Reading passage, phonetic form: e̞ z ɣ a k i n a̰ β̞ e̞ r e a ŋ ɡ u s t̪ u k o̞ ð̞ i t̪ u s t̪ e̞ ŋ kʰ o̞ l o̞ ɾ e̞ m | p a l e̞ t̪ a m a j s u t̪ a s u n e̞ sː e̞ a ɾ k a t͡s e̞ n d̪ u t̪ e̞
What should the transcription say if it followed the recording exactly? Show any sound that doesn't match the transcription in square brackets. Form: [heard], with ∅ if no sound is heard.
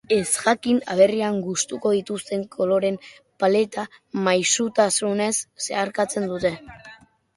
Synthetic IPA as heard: e̞ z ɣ a k i n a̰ β̞ e̞ r [i] a ŋ ɡ u s t̪ u k o̞ ð̞ i t̪ u s t̪ e̞ ŋ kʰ o̞ l o̞ ɾ e̞ m | p a l e̞ t̪ a m a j s u t̪ a s u n e̞ sː e̞ a ɾ k a t͡s e̞ n d̪ u t̪ e̞